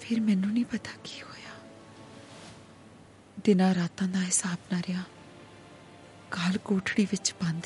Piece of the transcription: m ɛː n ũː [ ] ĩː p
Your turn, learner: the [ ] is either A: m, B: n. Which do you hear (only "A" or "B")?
B